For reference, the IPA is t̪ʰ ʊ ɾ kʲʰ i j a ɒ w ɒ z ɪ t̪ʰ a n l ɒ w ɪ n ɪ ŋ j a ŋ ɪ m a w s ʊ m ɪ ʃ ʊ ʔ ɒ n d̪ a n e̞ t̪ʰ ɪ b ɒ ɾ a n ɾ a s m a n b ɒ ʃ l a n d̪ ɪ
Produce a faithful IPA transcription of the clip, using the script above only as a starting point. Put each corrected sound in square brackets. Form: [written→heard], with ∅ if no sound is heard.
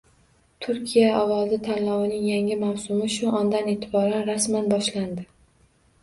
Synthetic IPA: t̪ʰ ʊ ɾ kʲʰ i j a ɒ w ɒ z ɪ t̪ʰ a n l ɒ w ɪ n ɪ ŋ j a ŋ ɪ m a w s ʊ m ɪ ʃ ʊ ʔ ɒ n d̪ a n e̞ t̪ʰ ɪ b ɒ ɾ a n ɾ a s m a n b ɒ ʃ l a n d̪ ɪ